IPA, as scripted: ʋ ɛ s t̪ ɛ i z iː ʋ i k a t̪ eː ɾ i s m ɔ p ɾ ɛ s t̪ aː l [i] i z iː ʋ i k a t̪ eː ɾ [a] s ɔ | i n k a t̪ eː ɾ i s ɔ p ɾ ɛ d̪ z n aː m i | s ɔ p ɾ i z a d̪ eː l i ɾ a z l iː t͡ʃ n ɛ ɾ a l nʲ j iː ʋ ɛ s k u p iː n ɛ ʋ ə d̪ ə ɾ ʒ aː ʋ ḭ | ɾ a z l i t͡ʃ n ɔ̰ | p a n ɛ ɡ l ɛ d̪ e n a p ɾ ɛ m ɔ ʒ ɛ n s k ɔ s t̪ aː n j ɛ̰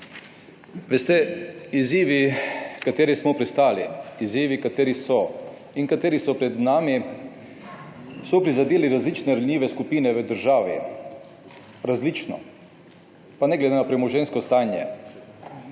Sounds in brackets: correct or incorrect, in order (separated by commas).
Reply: correct, incorrect